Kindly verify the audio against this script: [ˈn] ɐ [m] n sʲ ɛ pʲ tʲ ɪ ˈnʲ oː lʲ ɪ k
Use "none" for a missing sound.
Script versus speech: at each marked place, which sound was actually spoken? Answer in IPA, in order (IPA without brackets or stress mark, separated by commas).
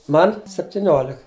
m, none